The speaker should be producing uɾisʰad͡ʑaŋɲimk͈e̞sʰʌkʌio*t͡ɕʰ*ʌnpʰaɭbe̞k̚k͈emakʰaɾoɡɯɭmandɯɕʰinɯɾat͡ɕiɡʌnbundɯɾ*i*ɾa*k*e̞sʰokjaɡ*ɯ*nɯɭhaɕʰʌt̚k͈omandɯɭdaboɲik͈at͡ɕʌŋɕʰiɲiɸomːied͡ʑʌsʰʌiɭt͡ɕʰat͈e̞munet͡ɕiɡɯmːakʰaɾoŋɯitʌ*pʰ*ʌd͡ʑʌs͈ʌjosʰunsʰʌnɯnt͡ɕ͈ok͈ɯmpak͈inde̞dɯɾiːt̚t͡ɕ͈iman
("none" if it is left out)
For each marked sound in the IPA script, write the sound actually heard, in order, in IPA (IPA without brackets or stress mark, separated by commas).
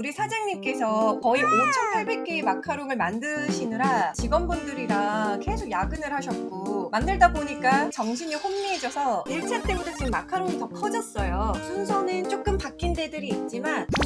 t͡ɕʰ, i, k, ɯ, kʰ